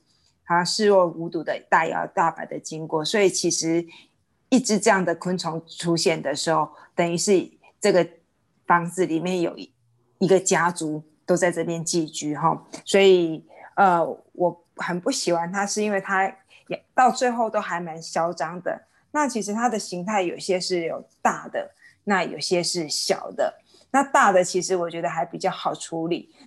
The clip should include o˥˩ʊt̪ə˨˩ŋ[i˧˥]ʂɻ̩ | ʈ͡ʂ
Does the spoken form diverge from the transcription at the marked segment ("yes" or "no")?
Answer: yes